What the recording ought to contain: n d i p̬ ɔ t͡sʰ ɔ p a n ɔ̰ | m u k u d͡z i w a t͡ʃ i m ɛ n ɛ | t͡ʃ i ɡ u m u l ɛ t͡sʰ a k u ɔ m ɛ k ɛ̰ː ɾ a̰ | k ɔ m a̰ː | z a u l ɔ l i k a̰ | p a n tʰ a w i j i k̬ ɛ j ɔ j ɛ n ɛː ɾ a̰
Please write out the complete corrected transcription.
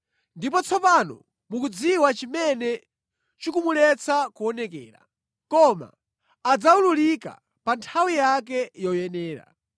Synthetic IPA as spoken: n d i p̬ ɔ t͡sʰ ɔ p a n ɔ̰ | m u k u d͡z i w a t͡ʃ i m ɛ n ɛ | t͡ʃ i k u m u l ɛ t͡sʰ a k u ɔ n ɛ k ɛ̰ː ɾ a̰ | k ɔ m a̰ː | d͡z a u l u l i k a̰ | p a n tʰ a w i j a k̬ ɛ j ɔ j ɛ n ɛː ɾ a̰